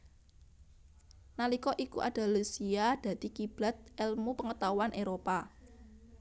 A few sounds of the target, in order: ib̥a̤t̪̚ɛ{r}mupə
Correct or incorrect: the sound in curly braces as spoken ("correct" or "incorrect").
incorrect